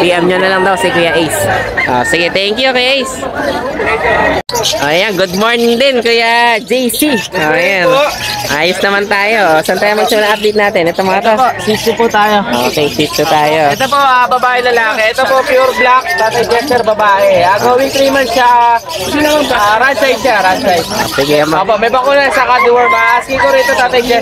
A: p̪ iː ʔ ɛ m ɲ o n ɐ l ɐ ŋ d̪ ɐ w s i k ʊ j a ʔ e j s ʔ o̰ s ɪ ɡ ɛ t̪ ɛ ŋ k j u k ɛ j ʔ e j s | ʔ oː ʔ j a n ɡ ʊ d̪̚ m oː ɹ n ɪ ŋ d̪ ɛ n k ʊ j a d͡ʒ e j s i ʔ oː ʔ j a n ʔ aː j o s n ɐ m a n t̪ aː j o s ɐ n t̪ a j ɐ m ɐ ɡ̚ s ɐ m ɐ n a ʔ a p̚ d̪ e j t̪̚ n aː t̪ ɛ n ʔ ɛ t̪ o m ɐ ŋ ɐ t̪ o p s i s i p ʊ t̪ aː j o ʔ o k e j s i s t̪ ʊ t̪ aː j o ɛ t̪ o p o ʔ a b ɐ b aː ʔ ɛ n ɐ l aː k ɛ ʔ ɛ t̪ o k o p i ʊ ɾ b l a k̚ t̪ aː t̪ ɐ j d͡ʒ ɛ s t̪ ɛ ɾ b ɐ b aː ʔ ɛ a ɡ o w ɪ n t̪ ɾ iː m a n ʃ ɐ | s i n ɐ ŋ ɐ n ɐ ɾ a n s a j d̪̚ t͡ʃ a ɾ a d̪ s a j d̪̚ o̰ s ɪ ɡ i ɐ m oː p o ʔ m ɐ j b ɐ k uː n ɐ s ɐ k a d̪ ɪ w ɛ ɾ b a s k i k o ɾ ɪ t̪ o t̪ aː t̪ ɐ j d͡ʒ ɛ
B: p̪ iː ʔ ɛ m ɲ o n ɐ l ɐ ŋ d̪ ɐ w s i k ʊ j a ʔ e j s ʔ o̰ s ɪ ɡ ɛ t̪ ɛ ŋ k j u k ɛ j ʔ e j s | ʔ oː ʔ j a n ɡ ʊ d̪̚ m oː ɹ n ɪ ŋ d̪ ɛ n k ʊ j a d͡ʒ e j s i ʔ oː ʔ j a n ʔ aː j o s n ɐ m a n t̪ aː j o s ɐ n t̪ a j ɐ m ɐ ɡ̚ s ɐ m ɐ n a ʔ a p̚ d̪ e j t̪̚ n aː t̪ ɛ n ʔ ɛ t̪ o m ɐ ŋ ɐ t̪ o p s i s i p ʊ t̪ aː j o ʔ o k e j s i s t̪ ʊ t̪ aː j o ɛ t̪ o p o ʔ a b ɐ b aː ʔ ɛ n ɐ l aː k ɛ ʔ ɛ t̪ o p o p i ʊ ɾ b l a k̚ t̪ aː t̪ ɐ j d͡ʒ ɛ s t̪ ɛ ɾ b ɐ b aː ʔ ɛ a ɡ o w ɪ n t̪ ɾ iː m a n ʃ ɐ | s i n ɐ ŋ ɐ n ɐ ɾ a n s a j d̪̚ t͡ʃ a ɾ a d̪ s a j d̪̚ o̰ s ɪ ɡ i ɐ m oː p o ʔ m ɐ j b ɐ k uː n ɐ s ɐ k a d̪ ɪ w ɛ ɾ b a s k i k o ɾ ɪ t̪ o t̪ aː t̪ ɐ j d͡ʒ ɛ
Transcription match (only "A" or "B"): B